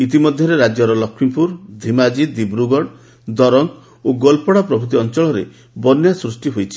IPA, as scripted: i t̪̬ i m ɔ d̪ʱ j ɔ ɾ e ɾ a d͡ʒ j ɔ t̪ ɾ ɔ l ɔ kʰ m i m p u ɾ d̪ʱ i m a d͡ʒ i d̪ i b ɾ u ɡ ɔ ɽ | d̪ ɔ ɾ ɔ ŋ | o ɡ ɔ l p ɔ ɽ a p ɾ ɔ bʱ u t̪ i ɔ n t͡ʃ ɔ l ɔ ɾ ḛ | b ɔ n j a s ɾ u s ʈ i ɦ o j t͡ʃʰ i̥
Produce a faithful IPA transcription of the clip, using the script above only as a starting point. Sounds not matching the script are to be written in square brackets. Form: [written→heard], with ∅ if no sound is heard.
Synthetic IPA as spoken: i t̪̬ i m ɔ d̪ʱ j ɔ ɾ e ɾ a d͡ʒ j ɔ [t̪→∅] ɾ ɔ l ɔ kʰ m i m p u ɾ d̪ʱ i m a d͡ʒ i d̪ i b ɾ u ɡ ɔ ɽ | d̪ ɔ ɾ ɔ ŋ | o ɡ ɔ l p ɔ ɽ a p ɾ ɔ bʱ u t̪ i ɔ n t͡ʃ ɔ [l→ɭ] ɔ ɾ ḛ | b ɔ n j a s ɾ u s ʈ i ɦ o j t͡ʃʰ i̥